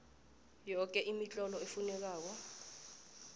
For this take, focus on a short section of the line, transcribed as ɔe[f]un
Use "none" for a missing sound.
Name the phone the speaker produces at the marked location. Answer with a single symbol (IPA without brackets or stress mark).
f